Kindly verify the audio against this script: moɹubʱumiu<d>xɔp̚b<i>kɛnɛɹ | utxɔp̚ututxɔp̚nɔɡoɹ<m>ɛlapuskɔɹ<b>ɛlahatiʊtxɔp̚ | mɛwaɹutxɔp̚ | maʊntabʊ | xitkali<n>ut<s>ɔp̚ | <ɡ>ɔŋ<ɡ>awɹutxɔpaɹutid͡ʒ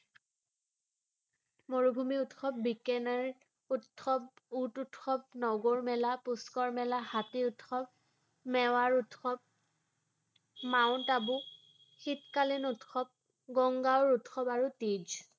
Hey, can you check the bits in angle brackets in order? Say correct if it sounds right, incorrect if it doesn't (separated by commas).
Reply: incorrect, correct, correct, incorrect, correct, incorrect, correct, correct